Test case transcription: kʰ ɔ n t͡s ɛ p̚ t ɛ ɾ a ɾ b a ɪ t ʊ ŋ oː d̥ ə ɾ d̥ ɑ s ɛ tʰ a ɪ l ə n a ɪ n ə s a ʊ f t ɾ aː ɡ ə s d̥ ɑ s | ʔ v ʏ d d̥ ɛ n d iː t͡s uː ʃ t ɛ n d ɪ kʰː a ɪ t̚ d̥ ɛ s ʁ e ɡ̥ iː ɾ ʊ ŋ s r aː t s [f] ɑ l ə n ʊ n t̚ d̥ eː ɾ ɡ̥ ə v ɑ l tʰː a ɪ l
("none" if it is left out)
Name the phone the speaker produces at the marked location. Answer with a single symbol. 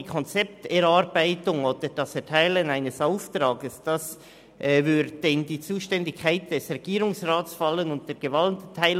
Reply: f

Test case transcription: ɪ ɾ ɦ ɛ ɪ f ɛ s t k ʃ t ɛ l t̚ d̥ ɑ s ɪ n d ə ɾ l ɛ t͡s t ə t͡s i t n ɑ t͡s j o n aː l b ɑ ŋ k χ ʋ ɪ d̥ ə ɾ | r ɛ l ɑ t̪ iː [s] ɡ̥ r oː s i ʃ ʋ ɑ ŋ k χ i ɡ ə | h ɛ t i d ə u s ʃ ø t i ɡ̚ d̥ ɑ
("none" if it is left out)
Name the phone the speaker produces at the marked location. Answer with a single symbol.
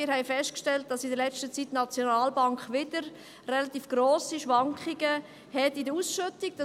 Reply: f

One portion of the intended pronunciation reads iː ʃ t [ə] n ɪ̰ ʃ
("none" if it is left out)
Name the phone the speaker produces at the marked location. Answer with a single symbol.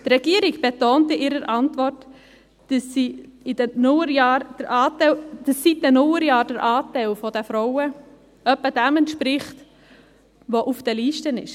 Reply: ə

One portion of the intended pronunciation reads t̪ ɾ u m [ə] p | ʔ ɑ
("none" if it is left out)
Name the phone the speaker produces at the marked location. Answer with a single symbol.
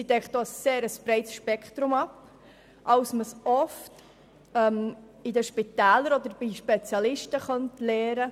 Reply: ɑ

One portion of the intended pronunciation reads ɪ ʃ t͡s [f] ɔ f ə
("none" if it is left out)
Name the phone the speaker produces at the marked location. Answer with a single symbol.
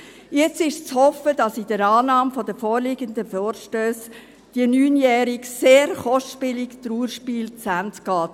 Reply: h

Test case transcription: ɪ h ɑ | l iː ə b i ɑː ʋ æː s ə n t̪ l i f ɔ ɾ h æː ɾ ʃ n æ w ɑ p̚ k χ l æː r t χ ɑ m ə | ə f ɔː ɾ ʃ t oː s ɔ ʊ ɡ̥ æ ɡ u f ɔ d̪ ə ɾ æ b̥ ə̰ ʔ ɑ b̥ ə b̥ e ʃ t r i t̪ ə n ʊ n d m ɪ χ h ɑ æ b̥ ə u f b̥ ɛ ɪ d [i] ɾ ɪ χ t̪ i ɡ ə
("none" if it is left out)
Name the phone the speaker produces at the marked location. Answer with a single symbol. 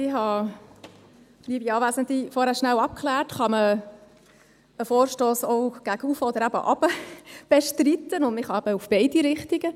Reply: i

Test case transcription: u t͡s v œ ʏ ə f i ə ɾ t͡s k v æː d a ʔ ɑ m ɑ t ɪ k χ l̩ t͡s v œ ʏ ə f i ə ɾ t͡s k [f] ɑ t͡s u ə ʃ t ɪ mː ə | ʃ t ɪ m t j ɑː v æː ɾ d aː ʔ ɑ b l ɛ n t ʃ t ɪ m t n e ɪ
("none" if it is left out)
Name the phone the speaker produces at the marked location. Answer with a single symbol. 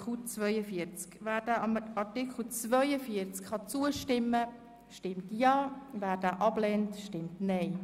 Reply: χ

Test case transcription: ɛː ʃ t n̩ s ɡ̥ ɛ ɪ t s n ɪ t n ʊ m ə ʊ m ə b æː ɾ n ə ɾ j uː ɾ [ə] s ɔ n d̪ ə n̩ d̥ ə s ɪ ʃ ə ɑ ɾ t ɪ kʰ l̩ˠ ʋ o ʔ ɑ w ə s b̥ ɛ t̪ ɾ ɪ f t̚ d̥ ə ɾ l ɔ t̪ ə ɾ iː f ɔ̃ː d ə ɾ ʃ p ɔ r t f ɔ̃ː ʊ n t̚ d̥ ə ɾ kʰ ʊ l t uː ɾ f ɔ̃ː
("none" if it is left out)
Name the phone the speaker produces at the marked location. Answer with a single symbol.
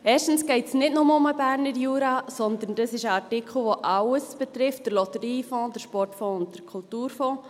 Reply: ɑ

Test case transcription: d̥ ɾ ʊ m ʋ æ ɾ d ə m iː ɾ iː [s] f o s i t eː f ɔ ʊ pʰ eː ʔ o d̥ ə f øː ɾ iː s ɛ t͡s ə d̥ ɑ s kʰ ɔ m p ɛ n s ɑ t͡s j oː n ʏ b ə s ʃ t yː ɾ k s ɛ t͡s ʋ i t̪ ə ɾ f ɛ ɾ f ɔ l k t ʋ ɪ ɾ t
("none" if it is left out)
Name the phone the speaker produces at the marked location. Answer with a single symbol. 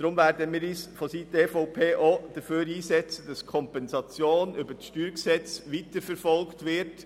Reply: s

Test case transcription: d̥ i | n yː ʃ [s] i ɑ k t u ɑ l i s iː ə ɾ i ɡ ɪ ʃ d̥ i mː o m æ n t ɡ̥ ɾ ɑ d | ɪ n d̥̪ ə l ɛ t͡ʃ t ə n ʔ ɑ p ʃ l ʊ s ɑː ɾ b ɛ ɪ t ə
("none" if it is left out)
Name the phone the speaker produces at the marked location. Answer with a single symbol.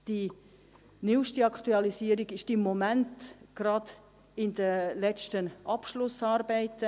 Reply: t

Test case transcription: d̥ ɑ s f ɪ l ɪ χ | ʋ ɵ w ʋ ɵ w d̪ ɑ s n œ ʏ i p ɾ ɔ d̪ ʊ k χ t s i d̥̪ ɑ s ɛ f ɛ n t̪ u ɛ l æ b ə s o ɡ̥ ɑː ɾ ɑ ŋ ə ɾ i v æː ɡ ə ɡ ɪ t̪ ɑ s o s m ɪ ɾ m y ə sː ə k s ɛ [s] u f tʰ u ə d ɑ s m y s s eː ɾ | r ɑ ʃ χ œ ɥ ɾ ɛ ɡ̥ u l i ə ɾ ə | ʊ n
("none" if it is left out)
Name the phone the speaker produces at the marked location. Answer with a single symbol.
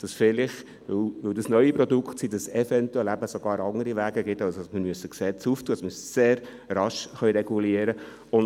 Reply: t͡s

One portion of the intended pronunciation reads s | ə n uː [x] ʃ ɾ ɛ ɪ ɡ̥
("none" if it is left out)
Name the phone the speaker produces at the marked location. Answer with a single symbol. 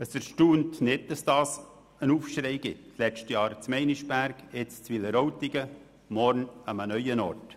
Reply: f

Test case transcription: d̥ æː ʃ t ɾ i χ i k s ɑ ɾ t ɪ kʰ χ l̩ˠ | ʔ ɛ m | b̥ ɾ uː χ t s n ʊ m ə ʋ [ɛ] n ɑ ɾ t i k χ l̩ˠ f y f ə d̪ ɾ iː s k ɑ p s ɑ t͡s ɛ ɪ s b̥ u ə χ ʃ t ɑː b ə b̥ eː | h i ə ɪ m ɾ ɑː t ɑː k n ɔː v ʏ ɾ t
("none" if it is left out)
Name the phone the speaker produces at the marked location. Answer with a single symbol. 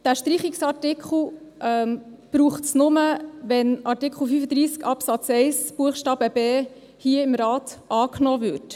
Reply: ɛ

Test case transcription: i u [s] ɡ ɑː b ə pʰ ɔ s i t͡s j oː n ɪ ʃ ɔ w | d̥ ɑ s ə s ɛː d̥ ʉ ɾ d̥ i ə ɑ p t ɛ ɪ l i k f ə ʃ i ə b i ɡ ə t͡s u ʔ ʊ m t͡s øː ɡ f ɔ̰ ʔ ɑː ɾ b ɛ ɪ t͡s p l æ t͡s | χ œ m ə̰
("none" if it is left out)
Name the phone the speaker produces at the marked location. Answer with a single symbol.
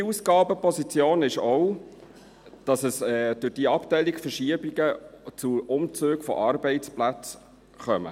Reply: s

